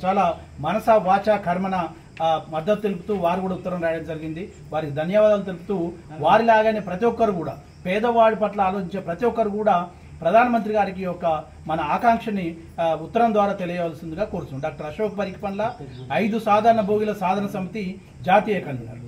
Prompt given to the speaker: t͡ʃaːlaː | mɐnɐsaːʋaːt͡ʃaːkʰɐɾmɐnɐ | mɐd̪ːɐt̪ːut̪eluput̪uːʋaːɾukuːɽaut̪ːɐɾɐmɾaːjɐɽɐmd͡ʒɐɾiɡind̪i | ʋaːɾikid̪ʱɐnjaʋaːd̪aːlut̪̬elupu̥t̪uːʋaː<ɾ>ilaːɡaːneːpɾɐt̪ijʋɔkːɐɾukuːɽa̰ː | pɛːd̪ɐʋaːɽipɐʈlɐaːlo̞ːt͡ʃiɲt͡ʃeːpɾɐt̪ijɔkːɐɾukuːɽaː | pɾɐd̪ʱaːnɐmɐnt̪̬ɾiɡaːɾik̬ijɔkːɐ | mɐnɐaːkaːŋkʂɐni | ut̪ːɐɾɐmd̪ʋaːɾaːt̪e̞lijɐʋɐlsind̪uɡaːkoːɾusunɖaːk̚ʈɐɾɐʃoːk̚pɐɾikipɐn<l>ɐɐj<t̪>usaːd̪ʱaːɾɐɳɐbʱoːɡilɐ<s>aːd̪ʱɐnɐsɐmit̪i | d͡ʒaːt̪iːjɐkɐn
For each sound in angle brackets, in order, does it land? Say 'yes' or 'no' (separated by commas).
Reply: yes, yes, no, yes